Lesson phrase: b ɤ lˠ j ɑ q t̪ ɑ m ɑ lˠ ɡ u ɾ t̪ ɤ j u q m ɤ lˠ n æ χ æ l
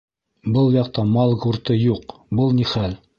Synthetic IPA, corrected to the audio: b ɤ lˠ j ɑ q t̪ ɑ m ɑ lˠ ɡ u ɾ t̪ ɤ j u q b ɤ lˠ n i χ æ l